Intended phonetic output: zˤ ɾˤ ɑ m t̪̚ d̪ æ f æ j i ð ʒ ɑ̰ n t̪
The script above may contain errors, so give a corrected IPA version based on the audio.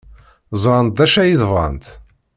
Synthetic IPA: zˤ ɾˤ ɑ n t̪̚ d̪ æ ʃ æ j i ð v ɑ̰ n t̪